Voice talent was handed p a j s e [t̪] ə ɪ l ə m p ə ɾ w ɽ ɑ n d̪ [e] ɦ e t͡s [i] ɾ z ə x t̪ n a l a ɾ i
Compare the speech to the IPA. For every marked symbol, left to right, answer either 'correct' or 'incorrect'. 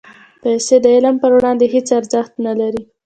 incorrect: d̪, correct, incorrect: a

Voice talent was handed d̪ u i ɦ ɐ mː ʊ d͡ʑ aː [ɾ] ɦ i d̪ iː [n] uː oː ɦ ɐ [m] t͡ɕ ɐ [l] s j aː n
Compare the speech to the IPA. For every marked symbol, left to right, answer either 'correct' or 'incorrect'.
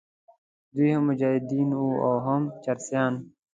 incorrect: none, correct, correct, incorrect: ɾ

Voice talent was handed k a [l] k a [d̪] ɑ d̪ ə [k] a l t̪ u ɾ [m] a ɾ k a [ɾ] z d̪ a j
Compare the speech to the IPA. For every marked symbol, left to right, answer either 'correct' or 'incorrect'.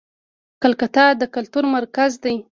correct, incorrect: t̪, correct, correct, incorrect: none

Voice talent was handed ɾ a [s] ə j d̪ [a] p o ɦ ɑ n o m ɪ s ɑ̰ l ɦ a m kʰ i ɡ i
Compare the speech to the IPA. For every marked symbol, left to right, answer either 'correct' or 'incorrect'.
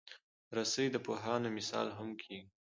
correct, incorrect: ə

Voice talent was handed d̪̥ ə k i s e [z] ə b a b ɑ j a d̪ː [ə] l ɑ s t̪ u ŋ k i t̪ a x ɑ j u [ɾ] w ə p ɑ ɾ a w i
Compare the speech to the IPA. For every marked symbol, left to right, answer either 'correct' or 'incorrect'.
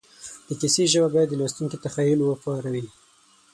incorrect: ʒ, correct, incorrect: l

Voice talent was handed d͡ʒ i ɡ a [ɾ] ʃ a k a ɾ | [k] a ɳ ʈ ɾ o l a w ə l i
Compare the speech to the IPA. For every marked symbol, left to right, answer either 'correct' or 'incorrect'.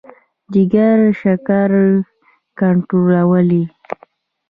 correct, correct

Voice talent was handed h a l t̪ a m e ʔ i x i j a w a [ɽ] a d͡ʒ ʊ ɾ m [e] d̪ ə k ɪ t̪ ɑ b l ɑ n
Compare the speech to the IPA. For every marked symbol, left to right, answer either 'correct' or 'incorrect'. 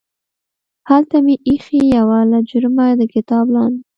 incorrect: l, incorrect: a

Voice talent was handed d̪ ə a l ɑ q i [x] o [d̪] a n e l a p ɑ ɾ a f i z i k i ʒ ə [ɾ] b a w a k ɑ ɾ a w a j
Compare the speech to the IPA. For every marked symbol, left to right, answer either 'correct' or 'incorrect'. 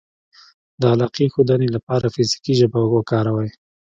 correct, correct, incorrect: none

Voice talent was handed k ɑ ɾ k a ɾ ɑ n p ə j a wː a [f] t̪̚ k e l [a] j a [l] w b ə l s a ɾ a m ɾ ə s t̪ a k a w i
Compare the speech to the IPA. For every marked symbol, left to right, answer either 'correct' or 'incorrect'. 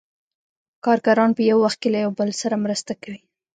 incorrect: x, correct, incorrect: none

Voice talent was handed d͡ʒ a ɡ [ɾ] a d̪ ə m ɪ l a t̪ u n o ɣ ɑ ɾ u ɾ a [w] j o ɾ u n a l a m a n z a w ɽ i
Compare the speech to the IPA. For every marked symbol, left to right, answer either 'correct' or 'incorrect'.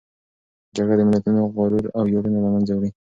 incorrect: ɽ, correct

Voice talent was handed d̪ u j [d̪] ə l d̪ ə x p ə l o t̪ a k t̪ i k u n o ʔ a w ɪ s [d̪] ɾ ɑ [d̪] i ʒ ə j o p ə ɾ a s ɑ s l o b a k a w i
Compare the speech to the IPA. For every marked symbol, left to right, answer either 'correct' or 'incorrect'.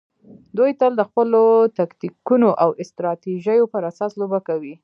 incorrect: t̪, incorrect: t̪, incorrect: t̪

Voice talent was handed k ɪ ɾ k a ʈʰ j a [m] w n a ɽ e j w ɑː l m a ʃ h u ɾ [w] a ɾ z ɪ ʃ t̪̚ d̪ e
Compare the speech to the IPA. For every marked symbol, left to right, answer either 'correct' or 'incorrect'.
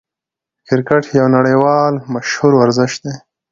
incorrect: none, correct

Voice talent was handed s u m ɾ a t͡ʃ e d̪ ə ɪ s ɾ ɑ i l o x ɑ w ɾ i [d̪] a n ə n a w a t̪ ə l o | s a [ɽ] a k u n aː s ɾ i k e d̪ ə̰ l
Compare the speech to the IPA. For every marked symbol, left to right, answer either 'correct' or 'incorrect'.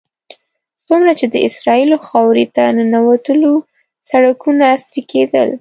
incorrect: t̪, correct

